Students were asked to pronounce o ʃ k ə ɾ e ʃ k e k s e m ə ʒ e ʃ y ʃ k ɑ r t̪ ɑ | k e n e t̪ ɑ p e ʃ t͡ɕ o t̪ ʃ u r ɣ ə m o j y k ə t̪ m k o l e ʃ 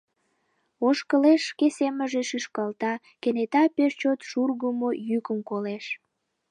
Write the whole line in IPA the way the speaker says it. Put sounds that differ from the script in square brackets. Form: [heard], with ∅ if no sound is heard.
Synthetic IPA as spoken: o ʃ k ə [l] e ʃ k e [∅] s e m ə ʒ e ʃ y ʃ k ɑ [l] t̪ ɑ | k e n e t̪ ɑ p e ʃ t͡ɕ o t̪ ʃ u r ɣ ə m o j y k ə [∅] m k o l e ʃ

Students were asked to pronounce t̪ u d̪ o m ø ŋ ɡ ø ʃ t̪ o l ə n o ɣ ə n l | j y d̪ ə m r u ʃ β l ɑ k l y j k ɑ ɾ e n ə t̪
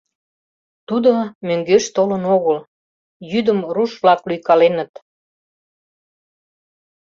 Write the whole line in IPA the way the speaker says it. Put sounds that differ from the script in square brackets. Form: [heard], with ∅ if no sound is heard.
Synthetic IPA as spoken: t̪ u d̪ o m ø ŋ ɡ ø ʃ t̪ o l ə n o ɣ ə [∅] l | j y d̪ ə m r u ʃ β l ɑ k l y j k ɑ [l] e n ə t̪

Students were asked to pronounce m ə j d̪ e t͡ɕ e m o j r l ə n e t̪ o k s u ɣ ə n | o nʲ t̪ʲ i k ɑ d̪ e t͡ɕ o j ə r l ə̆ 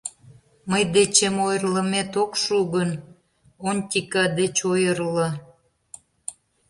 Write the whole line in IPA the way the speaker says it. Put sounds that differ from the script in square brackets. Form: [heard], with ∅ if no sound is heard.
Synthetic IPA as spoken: m ə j d̪ e t͡ɕ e m o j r l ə [m] e t̪ o k [ʃ] u ɣ ə n | o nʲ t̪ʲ i k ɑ d̪ e t͡ɕ o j ə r l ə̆

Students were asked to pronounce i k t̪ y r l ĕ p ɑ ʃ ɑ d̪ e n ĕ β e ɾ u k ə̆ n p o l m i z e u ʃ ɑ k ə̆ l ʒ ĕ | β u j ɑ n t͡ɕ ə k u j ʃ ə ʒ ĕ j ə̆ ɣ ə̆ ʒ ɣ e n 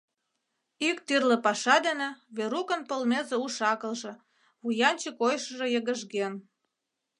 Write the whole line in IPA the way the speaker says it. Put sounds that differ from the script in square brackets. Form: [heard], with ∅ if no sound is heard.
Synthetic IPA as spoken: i k t̪ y r l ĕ p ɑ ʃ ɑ d̪ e n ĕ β e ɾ u k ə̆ n p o l m [e] z e u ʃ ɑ k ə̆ l ʒ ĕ | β u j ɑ n t͡ɕ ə k [o] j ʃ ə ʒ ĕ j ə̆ ɣ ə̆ ʒ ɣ e n

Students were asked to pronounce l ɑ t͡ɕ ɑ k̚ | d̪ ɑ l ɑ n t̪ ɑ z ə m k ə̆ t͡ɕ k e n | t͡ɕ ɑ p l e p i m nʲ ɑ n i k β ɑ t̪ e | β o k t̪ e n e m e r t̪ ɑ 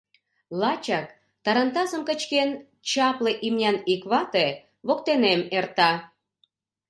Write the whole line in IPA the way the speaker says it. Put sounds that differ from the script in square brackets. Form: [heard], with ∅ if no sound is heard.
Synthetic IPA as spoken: l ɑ t͡ɕ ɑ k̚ | [t̪] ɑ [ɾ] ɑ n t̪ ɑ z ə m k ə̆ t͡ɕ k e n | t͡ɕ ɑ p l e [ʔ] i m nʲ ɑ n i k β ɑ t̪ e | β o k t̪ e n e m e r t̪ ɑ

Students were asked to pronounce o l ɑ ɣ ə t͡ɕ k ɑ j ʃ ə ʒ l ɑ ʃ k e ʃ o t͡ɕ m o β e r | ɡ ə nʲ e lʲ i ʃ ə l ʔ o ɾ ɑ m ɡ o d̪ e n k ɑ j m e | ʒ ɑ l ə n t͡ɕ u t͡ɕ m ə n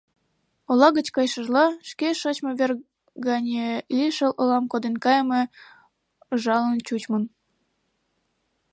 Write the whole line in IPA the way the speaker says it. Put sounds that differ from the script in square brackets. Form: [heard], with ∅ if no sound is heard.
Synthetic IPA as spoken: o l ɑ ɣ ə t͡ɕ k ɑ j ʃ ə ʒ l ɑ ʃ k e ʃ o t͡ɕ m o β e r | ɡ [ɑ] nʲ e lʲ i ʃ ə l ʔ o [l] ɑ m [k] o d̪ e n k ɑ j m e | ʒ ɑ l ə n t͡ɕ u t͡ɕ m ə n

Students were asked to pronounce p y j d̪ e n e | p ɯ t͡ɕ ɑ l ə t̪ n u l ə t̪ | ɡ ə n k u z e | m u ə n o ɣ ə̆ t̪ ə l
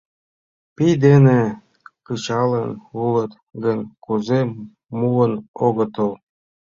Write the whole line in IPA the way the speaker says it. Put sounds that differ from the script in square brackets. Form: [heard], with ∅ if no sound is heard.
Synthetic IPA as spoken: p [i] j d̪ e n e | [k] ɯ t͡ɕ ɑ l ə [∅] n u l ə t̪ | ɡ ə n k u z e | m u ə n o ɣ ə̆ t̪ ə l

